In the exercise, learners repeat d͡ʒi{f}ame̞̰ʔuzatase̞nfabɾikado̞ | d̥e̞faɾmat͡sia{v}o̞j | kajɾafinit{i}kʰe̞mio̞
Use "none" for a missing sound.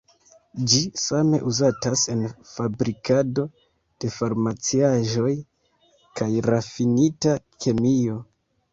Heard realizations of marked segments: s, ʒ, a

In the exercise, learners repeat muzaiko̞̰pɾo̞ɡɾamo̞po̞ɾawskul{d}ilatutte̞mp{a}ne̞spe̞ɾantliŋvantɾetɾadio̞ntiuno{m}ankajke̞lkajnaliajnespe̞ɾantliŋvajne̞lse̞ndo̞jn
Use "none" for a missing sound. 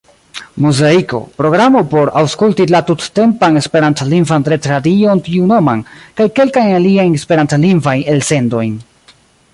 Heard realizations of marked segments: t, a, m

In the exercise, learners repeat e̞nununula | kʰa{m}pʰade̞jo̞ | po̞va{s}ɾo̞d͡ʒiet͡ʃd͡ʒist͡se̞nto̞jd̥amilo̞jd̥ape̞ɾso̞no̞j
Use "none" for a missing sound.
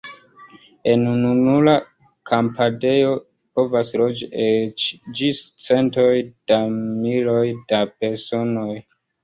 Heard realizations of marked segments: m, s

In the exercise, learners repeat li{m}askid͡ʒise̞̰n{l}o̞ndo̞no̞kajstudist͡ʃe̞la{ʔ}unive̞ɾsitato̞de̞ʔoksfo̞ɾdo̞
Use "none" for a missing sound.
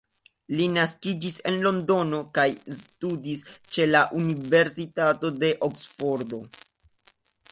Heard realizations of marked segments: n, l, ʔ

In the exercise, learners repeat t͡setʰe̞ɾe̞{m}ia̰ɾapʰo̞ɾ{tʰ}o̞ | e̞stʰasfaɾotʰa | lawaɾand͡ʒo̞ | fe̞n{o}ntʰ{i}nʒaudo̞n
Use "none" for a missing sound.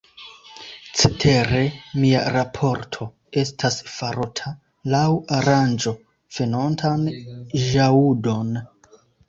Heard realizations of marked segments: m, tʰ, o, a

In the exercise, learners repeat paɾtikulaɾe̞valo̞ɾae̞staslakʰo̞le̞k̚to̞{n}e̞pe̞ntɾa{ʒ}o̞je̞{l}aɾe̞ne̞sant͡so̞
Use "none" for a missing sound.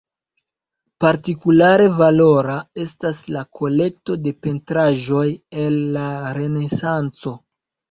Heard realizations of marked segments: d, ʒ, lː

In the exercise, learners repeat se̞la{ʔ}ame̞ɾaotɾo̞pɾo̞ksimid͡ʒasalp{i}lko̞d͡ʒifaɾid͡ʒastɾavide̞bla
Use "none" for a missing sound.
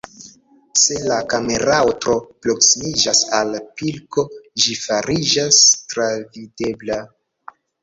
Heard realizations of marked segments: k, i

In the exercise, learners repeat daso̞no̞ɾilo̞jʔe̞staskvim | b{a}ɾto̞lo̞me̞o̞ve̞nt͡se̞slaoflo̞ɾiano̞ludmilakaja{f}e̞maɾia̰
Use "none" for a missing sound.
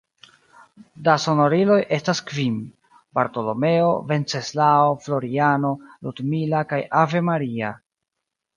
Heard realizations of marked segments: a, v

